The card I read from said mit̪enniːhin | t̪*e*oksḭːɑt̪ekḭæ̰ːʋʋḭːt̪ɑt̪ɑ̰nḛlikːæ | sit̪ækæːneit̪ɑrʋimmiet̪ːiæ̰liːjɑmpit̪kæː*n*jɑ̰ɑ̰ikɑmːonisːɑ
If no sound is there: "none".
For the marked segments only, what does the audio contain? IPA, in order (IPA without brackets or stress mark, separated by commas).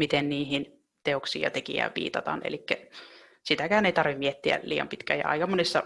e, none